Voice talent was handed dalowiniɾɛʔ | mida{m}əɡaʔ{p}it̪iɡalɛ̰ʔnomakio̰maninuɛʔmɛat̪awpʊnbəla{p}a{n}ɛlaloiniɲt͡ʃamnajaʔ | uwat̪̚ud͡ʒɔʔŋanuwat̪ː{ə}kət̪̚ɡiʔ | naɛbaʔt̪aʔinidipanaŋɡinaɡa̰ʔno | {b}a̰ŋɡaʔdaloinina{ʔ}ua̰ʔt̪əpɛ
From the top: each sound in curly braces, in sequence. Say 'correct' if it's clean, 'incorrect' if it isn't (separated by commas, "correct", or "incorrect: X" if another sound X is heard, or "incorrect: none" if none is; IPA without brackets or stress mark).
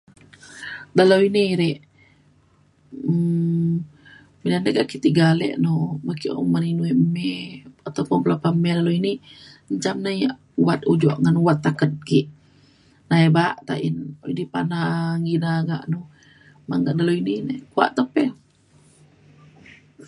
incorrect: n, incorrect: k, correct, incorrect: m, incorrect: a, incorrect: m, incorrect: k